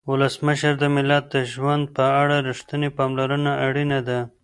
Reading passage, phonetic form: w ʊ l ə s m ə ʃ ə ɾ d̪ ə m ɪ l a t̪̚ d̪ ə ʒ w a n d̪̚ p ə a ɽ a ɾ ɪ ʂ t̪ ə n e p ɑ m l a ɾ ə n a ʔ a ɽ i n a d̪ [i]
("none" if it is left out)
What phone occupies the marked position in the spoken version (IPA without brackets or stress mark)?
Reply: a